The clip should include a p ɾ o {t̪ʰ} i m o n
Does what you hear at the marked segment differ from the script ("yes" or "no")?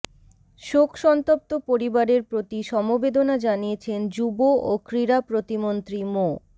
yes